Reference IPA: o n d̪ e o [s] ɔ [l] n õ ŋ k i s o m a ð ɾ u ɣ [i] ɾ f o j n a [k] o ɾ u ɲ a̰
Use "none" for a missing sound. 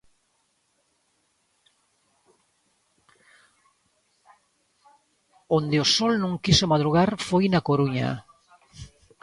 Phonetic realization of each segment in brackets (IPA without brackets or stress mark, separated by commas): s, l, a, k